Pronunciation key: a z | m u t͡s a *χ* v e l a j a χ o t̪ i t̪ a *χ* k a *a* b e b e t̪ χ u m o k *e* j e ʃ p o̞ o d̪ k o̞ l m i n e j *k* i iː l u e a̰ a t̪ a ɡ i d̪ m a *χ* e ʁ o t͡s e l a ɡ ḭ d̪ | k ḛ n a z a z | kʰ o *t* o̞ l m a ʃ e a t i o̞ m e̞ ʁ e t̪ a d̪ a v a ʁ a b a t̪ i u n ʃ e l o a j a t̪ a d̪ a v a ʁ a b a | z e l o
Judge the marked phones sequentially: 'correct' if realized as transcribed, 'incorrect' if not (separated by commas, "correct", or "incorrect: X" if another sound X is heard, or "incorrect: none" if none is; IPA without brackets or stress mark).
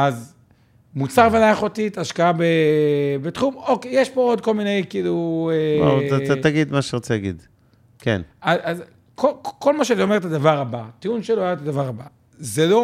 incorrect: ʁ, incorrect: ʃ, correct, correct, correct, incorrect: ʃ, incorrect: k